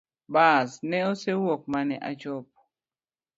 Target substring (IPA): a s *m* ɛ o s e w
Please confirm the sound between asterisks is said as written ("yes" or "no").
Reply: no